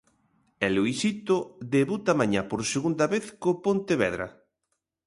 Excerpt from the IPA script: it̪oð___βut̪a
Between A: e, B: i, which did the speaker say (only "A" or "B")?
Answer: A